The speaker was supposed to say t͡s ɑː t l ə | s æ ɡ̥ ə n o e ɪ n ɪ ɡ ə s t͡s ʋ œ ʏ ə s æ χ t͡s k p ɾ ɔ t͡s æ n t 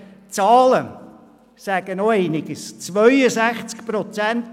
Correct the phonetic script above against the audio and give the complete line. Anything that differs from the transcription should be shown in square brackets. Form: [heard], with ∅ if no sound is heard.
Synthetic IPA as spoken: t͡s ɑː [∅] l ə | s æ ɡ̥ ə n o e ɪ n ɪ ɡ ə s t͡s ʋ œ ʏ ə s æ χ t͡s k p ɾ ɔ t͡s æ n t